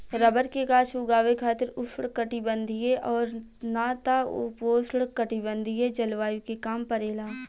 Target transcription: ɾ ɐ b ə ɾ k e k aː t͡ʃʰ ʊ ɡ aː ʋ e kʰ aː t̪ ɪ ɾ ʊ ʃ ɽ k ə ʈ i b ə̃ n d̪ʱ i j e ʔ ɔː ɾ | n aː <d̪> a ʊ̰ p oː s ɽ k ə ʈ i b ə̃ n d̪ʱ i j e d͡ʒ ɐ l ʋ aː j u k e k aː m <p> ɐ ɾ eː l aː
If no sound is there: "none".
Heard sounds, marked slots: t̪, p

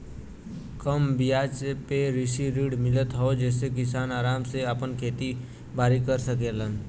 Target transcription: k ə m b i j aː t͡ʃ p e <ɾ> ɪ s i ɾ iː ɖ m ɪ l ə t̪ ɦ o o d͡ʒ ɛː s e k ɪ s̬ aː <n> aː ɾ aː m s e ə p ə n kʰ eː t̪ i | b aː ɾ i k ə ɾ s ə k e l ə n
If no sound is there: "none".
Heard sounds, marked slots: ɾ, n

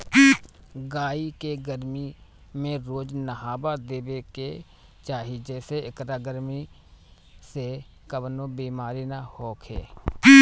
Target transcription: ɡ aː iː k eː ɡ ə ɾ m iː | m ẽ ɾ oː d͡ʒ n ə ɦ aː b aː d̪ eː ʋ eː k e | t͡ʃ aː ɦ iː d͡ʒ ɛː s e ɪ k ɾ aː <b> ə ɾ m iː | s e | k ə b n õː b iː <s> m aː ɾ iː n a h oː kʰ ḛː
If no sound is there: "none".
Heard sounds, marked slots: ɡ, none

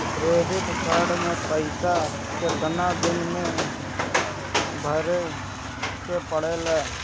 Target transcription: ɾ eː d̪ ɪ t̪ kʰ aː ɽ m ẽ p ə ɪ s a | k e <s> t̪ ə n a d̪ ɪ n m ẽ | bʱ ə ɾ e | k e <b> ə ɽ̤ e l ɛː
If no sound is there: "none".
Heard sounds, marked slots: none, p

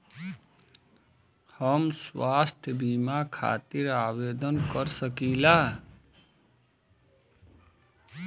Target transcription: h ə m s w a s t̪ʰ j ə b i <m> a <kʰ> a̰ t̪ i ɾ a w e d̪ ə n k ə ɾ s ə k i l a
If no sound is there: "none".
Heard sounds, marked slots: m, kʰ

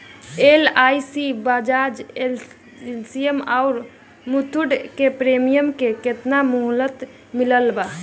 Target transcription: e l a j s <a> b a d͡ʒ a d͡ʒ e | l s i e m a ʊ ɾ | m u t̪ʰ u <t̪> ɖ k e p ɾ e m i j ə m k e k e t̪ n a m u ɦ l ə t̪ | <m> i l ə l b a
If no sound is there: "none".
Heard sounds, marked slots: i, none, m

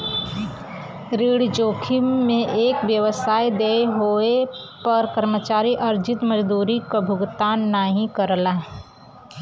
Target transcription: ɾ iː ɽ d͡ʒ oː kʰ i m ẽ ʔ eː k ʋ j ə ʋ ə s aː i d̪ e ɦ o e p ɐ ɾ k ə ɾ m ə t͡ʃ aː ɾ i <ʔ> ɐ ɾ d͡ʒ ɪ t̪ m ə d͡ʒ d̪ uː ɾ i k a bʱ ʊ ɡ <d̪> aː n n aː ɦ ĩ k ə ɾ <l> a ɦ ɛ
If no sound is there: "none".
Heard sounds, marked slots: ʔ, t̪, l

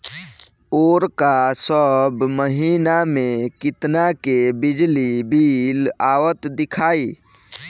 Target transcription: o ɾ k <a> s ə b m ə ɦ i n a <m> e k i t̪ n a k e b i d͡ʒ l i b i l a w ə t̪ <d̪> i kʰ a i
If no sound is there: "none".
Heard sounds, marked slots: a, m, d̪

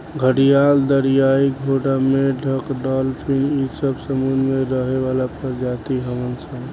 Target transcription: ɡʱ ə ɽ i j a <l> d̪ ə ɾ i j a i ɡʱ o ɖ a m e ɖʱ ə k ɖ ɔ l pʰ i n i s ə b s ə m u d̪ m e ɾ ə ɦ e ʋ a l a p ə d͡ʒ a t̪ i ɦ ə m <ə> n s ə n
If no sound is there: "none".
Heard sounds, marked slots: l, ə

